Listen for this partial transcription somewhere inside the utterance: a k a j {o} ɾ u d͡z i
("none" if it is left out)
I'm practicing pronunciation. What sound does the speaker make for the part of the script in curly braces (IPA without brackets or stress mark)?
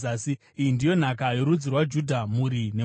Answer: o